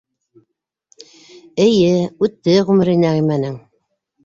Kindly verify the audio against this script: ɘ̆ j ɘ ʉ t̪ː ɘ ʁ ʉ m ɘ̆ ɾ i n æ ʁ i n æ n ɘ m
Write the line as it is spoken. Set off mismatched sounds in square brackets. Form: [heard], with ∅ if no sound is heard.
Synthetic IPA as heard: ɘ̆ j ɘ ʉ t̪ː ɘ ʁ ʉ m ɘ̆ ɾ i n æ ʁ i [m] æ n ɘ [ŋ]